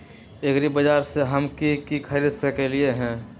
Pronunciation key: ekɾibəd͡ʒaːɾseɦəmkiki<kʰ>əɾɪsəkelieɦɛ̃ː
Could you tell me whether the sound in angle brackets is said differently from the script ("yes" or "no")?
no